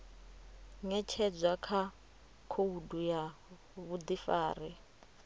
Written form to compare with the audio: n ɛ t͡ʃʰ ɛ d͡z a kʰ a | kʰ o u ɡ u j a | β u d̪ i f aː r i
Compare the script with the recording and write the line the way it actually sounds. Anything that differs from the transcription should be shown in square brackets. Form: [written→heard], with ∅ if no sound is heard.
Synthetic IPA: [n→ŋ] ɛ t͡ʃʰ ɛ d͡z a kʰ a | kʰ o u [ɡ→d] u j a | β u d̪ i f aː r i